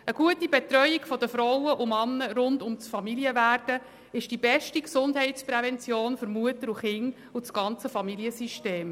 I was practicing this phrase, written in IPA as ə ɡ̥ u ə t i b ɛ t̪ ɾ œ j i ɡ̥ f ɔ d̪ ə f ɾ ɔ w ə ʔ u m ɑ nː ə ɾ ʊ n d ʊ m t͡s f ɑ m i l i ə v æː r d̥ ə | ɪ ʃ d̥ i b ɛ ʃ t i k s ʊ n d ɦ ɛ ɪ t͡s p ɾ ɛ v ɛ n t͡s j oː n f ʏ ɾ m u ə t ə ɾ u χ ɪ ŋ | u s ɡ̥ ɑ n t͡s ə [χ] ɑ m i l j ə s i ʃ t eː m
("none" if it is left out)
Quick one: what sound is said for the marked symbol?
f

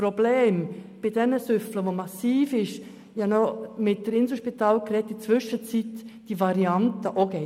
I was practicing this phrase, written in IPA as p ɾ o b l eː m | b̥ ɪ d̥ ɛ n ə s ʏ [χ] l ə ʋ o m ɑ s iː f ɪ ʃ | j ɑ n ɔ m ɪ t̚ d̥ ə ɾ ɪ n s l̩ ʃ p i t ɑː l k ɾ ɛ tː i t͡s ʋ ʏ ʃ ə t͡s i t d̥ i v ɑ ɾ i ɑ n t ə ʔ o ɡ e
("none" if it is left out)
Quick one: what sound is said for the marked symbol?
f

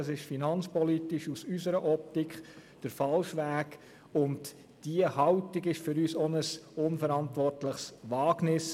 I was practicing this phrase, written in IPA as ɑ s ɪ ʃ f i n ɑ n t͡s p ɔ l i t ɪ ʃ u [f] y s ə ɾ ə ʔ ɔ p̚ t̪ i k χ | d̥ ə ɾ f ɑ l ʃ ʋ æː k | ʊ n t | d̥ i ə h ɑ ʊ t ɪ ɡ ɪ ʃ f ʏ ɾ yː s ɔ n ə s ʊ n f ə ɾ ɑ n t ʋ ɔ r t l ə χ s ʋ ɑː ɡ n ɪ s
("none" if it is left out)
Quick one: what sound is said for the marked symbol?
s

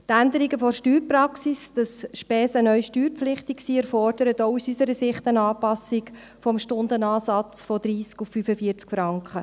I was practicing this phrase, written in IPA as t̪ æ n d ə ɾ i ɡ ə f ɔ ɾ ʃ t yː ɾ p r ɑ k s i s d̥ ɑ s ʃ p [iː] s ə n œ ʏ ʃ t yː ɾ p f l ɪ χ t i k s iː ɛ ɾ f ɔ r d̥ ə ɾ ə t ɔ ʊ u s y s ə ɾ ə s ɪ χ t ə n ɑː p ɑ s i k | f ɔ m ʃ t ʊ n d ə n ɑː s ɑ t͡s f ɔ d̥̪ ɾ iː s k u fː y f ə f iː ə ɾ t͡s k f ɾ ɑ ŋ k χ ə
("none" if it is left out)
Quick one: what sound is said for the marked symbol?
ɛː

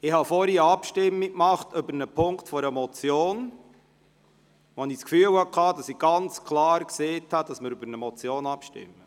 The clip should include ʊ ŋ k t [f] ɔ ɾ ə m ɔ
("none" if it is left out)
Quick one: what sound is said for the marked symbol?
f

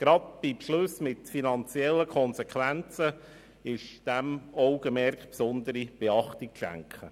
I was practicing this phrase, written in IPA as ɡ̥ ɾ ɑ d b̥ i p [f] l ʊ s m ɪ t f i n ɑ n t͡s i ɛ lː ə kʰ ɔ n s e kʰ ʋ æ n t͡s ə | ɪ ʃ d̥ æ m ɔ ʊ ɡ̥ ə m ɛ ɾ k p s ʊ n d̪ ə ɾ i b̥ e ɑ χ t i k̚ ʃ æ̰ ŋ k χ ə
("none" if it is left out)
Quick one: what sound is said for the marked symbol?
ʃ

